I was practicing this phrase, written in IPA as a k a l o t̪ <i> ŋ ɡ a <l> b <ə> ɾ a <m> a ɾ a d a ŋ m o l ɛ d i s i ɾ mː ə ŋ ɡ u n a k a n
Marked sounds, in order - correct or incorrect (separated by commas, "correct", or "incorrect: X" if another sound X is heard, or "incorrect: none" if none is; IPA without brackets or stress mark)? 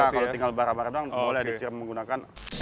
correct, correct, incorrect: a, incorrect: b